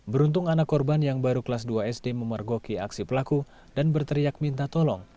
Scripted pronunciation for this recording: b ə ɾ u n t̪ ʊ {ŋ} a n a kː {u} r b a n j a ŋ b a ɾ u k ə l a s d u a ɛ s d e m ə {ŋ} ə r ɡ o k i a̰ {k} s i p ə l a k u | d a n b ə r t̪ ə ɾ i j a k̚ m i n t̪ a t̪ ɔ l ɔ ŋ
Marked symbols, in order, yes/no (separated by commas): yes, no, no, yes